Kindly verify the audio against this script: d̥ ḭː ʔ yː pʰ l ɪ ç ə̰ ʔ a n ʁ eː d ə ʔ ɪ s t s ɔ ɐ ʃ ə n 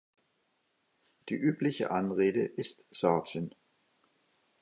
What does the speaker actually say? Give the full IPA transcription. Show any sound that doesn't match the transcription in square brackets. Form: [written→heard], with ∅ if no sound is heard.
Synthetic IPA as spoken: d̥ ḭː ʔ yː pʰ l ɪ ç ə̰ ʔ a n ʁ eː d ə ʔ ɪ s t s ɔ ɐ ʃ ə n

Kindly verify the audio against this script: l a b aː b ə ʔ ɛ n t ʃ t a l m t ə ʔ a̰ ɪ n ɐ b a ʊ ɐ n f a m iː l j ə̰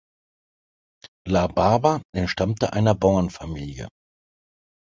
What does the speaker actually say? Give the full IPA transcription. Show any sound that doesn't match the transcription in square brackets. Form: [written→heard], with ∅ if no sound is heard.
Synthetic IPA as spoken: l a b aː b [ə→a] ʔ ɛ n t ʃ t a [l→∅] m t ə ʔ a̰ ɪ n ɐ b a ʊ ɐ n f a m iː l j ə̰

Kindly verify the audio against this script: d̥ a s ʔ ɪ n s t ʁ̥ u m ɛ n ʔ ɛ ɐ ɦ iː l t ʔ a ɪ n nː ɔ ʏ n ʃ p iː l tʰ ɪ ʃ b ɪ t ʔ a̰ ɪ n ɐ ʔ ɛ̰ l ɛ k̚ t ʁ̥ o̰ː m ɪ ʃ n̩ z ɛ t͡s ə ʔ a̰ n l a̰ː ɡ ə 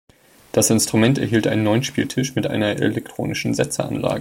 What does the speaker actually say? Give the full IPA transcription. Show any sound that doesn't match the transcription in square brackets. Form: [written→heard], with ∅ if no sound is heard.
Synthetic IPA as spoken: d̥ a s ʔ ɪ n s t ʁ̥ u m ɛ n [ʔ→t] ɛ ɐ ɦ iː l t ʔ a ɪ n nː ɔ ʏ n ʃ p iː l tʰ ɪ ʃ [b→m] ɪ t ʔ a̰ ɪ n ɐ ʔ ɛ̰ l ɛ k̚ t ʁ̥ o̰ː [m→n] ɪ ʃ n̩ z ɛ t͡s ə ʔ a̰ n l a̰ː ɡ ə

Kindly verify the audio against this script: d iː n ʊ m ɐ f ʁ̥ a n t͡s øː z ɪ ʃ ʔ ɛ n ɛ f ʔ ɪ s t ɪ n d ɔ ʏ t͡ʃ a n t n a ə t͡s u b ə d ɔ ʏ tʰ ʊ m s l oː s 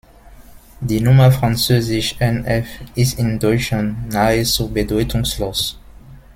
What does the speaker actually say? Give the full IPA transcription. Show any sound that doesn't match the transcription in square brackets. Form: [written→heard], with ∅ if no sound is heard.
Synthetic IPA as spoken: d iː n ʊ m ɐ f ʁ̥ a n t͡s øː z ɪ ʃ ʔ ɛ n ɛ f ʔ ɪ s t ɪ n d ɔ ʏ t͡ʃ a n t n a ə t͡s u b ə d ɔ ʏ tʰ ʊ [m→ŋ] s l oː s

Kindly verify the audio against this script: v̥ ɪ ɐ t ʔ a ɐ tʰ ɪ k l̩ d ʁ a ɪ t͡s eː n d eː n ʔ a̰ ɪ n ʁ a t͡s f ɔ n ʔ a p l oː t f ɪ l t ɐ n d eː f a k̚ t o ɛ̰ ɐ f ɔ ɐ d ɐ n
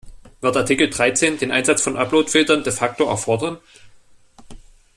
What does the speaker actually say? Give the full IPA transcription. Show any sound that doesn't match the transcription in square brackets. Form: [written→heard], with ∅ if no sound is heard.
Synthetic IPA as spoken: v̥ ɪ ɐ t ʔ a ɐ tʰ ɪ k l̩ d ʁ a ɪ t͡s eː n d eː n ʔ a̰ ɪ n [ʁ→z] a t͡s f ɔ n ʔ a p l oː t f ɪ l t ɐ n d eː f a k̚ t o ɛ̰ ɐ f ɔ ɐ d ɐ n

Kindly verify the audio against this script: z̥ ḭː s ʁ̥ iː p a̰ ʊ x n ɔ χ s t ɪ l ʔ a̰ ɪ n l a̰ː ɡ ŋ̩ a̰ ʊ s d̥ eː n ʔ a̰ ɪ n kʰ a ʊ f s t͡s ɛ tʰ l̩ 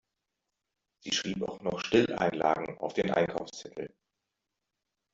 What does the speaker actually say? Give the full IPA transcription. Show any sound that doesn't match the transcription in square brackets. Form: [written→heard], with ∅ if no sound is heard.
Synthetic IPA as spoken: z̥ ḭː [s→ʃ] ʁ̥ iː p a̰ ʊ x n ɔ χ [s→ʃ] t ɪ l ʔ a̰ ɪ n l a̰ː ɡ ŋ̩ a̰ ʊ [s→f] d̥ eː n ʔ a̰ ɪ n kʰ a ʊ f s t͡s ɛ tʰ l̩

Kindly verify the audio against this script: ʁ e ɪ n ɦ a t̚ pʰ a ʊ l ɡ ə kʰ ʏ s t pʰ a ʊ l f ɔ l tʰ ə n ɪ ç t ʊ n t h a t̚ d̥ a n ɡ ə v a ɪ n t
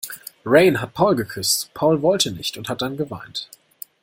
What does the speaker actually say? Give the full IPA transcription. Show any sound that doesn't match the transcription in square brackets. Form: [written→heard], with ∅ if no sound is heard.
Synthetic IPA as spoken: ʁ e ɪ n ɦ a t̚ pʰ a ʊ l ɡ ə kʰ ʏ s t pʰ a ʊ l [f→v] ɔ l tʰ ə n ɪ ç t ʊ n t h a t̚ d̥ a n ɡ ə v a ɪ n t

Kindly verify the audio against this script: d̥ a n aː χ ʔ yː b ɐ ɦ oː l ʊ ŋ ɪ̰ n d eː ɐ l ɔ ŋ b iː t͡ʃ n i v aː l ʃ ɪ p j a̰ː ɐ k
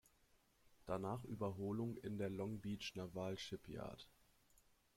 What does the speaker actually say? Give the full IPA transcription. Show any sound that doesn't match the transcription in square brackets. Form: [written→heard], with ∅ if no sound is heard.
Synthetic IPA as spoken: d̥ a n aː χ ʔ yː b ɐ ɦ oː l ʊ ŋ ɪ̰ n d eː ɐ l ɔ ŋ b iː t͡ʃ n [i→a] v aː l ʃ ɪ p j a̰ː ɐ [k→t]

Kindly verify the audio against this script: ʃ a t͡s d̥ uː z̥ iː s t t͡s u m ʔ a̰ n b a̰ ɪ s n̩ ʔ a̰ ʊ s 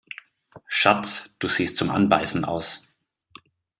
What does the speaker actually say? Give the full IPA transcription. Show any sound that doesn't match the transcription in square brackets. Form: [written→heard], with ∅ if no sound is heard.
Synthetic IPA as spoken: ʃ a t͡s d̥ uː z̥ iː s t t͡s [u→ʊ] m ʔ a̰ n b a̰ ɪ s n̩ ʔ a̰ ʊ s

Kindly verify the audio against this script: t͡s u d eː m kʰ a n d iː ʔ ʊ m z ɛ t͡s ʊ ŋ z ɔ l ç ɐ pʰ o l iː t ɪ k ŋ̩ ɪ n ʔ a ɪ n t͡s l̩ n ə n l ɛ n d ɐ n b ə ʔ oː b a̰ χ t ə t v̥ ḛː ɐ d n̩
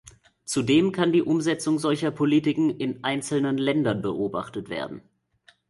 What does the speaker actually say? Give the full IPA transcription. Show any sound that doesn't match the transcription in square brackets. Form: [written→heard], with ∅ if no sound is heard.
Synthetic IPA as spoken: t͡s u d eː m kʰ a n d iː ʔ ʊ m z ɛ t͡s ʊ ŋ z ɔ l ç ɐ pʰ o l iː t ɪ k ŋ̩ ɪ n ʔ a ɪ n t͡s l̩ n ə n l ɛ n d ɐ n b ə ʔ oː b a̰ χ t ə t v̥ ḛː ɐ d n̩

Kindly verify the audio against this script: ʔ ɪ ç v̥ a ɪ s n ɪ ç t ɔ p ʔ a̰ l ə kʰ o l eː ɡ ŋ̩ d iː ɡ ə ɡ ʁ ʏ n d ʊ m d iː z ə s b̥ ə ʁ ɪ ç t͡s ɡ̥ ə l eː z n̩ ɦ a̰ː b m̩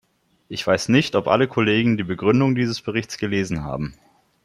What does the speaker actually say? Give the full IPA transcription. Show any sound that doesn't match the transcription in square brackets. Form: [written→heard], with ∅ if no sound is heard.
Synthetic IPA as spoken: ʔ ɪ ç v̥ a ɪ s n ɪ ç t ɔ p ʔ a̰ l ə kʰ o l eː ɡ ŋ̩ d iː [ɡ→b] ə ɡ ʁ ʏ n d ʊ [m→ŋ] d iː z ə s b̥ ə ʁ ɪ ç t͡s ɡ̥ ə l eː z n̩ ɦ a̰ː b m̩

